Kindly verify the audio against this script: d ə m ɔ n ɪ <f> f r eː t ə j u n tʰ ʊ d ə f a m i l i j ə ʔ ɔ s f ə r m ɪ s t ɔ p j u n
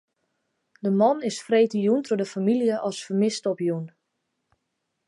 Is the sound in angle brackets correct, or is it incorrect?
incorrect